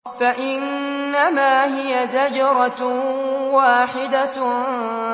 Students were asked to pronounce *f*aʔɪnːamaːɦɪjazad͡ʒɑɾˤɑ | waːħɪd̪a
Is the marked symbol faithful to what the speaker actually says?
yes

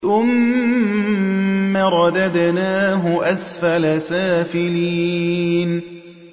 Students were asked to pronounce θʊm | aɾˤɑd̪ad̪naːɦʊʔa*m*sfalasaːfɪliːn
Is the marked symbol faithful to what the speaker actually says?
no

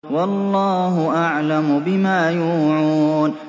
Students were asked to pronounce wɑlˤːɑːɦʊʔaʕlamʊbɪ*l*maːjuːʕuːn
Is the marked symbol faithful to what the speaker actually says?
no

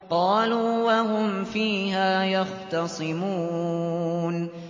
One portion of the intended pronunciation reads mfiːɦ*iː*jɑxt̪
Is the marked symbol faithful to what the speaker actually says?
no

